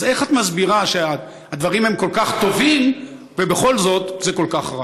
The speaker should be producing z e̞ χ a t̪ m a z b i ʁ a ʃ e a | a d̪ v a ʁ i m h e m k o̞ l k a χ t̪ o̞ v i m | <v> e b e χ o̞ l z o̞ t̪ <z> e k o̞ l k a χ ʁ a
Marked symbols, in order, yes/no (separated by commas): yes, yes